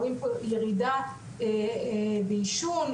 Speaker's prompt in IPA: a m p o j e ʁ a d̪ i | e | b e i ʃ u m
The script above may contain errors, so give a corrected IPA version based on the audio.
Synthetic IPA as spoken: i m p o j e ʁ i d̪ a | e | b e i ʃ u n